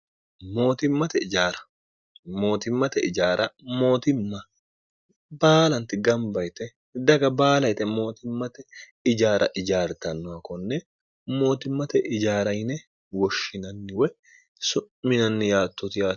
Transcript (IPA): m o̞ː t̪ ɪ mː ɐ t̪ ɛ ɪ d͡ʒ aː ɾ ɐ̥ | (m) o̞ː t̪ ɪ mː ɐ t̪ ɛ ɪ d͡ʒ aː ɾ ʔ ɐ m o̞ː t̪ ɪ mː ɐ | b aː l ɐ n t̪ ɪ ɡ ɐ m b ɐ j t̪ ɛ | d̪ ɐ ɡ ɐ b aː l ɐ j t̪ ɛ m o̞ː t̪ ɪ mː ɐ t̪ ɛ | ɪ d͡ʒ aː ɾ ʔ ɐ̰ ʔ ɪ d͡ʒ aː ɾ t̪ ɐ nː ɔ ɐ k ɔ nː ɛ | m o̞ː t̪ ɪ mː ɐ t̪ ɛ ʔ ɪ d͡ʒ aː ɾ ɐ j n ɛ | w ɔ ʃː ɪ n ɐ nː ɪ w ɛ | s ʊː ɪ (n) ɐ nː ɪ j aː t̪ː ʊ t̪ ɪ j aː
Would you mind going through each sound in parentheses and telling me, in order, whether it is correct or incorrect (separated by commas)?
correct, correct